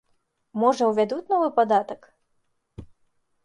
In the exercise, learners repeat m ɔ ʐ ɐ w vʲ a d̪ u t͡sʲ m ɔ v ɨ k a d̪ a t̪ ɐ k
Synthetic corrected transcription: m ɔ ʐ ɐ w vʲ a d̪ u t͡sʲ n ɔ v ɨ p a d̪ a t̪ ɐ k